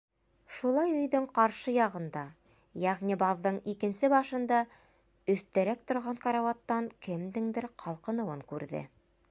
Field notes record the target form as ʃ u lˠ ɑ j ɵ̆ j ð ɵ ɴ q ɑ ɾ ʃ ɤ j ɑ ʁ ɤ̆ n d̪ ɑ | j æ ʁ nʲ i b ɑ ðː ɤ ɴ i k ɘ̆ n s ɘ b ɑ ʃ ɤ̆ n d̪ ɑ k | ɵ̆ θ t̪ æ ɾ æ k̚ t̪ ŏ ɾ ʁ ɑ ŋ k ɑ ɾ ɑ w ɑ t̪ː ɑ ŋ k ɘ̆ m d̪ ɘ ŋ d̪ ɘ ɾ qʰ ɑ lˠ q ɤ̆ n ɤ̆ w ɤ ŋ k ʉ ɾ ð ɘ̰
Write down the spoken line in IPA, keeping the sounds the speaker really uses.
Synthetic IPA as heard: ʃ u lˠ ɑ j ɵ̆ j ð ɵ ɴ q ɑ ɾ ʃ ɤ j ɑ ʁ ɤ̆ n d̪ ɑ | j æ ʁ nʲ i b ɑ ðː ɤ ɴ i k ɘ̆ n s ɘ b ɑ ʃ ɤ̆ n d̪ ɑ | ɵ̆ θ t̪ æ ɾ æ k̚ t̪ ŏ ɾ ʁ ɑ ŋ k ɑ ɾ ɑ w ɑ t̪ː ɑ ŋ k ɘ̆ m d̪ ɘ ŋ d̪ ɘ ɾ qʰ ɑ lˠ q ɤ̆ n ɤ̆ w ɤ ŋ k ʉ ɾ ð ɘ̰